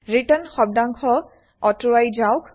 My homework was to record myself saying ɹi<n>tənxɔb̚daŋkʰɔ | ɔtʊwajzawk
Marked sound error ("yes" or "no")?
yes